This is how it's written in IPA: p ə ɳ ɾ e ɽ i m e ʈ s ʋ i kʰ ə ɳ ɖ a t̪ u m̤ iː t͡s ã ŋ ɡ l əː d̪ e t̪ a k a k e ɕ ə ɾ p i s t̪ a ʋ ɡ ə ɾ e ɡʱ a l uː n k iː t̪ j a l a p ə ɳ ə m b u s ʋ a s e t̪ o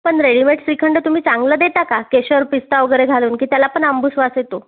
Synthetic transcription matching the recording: p ə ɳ ɾ e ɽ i m e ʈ s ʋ i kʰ ə ɳ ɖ ə t̪ u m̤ iː t͡s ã ŋ ɡ l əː d̪ e t̪ a k a k e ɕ ə ɾ p i s t̪ a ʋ ɡ ə ɾ e ɡʱ a l uː n k iː t̪ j a l a p ə ɳ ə m b u s ʋ a s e t̪ o